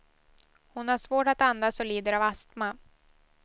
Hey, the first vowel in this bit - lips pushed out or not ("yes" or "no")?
yes